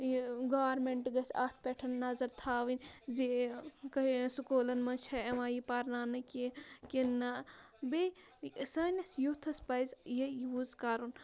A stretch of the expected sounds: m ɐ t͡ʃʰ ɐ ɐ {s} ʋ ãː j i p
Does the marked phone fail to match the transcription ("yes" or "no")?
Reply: yes